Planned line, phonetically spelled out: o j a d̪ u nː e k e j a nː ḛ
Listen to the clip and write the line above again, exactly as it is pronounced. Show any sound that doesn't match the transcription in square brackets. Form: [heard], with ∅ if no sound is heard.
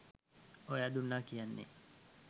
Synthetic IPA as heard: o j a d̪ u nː [a] k [i] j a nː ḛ